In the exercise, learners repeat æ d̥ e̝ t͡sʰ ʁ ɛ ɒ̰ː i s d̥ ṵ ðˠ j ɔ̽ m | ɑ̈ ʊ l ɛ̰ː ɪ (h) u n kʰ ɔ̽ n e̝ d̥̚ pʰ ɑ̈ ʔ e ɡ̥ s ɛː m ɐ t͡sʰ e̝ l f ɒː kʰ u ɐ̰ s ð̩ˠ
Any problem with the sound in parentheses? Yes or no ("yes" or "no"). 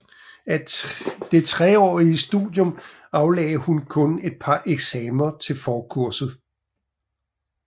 no